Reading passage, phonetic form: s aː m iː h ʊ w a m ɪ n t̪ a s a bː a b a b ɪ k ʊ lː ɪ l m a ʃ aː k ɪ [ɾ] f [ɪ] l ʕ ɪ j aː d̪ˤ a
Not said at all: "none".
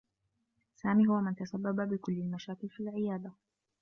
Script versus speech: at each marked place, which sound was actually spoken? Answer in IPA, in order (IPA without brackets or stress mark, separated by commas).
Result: l, i